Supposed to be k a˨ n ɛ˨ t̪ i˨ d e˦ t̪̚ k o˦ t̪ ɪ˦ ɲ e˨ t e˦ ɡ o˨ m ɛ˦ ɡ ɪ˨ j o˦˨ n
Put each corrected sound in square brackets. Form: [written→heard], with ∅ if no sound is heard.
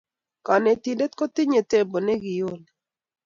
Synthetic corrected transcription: k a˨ n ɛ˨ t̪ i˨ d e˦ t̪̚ k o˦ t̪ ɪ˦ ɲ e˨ t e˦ [ɡ→b] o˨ [m→n] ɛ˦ ɡ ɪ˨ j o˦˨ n